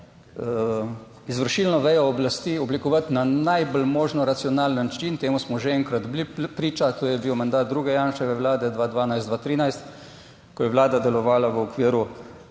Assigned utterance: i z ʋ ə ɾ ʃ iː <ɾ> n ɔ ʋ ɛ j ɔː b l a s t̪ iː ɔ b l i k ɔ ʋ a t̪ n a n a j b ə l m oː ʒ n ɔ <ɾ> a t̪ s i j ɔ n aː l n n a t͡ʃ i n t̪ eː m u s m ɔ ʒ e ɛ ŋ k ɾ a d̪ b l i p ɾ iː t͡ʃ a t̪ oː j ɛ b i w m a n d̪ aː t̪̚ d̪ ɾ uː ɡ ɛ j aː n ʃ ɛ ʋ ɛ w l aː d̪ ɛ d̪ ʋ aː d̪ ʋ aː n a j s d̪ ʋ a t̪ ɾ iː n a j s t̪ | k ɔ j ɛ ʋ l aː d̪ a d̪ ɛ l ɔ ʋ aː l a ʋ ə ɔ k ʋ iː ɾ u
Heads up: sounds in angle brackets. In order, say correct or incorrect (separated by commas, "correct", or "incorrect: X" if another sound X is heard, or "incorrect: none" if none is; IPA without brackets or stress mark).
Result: incorrect: l, correct